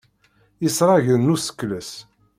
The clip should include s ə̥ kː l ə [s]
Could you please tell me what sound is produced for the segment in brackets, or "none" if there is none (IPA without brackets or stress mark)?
s